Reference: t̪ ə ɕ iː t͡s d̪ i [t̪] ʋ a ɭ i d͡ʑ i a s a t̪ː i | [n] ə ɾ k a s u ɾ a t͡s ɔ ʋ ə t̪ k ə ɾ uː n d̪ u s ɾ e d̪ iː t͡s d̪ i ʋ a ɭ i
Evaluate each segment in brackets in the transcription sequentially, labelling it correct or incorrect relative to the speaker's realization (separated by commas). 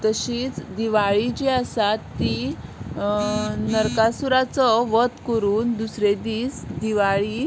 incorrect, correct